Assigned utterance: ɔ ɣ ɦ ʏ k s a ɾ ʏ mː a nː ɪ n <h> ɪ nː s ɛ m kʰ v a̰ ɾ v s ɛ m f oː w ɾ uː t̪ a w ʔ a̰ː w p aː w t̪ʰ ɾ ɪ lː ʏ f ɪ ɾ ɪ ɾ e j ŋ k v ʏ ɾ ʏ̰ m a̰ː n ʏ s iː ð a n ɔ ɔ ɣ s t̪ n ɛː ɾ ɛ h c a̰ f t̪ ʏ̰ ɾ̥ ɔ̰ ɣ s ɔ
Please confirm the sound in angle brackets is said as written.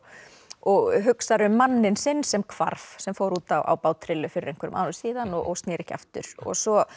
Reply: no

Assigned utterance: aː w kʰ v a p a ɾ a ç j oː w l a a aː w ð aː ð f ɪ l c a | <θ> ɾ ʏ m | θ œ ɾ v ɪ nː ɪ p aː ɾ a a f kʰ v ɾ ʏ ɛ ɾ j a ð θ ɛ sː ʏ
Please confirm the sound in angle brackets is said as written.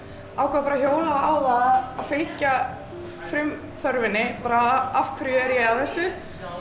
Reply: no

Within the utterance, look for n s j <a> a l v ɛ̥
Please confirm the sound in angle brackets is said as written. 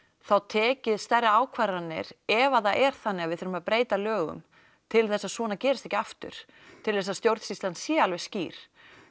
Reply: no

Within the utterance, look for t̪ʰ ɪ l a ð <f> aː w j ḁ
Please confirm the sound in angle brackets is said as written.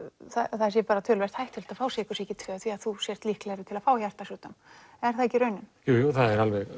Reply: yes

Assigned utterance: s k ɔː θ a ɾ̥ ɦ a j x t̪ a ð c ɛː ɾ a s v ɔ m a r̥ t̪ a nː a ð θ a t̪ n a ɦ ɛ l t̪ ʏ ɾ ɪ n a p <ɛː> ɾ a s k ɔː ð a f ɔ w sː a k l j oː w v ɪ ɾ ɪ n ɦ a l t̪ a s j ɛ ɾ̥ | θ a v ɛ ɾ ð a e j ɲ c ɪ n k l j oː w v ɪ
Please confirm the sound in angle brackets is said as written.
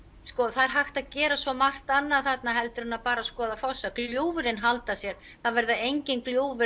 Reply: no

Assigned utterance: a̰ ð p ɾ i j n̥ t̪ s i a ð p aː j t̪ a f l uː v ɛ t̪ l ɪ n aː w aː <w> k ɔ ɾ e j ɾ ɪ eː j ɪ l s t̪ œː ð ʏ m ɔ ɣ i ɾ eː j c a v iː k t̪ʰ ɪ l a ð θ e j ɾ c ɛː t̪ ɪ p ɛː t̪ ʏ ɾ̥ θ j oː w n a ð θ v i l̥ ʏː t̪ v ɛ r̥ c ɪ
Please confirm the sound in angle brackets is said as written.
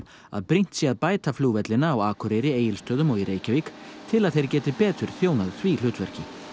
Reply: no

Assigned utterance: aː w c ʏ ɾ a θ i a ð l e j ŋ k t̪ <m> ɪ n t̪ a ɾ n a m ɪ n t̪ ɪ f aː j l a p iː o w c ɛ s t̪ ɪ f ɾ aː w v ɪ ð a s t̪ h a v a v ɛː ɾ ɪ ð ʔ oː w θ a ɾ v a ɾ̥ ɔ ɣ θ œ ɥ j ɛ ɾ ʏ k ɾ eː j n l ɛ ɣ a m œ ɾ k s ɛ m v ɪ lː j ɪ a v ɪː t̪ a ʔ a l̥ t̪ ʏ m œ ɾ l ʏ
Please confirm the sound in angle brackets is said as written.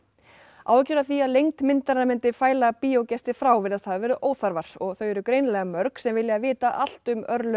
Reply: yes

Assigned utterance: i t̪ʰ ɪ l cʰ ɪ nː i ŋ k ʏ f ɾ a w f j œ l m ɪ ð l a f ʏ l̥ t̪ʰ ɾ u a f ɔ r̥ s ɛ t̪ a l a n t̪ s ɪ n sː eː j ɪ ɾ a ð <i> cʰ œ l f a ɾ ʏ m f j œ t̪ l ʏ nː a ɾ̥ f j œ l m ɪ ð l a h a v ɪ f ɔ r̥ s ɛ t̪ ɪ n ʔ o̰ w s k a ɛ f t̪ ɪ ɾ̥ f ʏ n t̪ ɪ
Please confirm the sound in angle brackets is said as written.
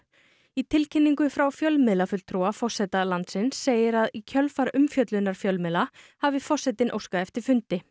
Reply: yes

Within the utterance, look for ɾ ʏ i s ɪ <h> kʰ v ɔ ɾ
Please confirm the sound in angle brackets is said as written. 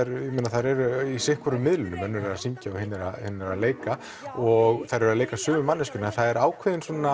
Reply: yes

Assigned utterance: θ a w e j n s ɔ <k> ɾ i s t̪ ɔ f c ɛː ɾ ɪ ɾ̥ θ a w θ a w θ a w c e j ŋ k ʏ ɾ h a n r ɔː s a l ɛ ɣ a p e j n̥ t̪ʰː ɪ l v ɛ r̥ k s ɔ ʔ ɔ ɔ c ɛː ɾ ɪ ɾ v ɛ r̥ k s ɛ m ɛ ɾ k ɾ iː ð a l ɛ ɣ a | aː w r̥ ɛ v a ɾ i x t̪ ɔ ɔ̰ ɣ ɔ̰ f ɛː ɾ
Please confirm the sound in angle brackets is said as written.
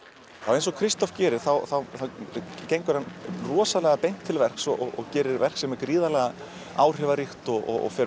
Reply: no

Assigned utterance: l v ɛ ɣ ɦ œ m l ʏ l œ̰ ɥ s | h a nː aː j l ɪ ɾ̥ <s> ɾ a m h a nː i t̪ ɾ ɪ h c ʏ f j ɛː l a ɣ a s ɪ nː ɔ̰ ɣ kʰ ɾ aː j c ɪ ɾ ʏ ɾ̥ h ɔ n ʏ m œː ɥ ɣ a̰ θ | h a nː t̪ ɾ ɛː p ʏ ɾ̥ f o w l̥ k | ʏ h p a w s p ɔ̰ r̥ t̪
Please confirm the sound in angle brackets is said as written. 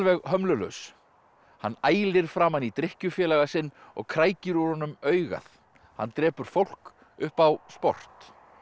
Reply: no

